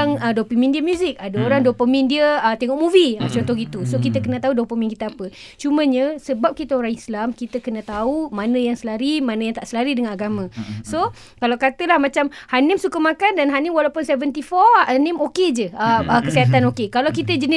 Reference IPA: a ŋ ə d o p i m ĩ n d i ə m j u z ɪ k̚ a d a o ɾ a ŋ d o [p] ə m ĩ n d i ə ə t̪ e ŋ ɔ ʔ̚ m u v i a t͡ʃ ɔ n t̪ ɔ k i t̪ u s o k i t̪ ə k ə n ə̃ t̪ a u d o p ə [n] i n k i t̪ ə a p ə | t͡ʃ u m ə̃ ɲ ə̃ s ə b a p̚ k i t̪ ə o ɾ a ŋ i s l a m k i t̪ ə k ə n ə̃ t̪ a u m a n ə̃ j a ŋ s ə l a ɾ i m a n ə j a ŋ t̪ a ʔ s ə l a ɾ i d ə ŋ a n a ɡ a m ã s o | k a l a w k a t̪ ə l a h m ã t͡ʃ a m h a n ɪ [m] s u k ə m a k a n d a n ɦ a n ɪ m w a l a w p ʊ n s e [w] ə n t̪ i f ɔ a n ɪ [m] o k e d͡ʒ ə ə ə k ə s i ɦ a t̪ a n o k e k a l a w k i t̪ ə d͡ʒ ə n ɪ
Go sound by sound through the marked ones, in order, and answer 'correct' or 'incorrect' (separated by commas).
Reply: correct, incorrect, correct, incorrect, correct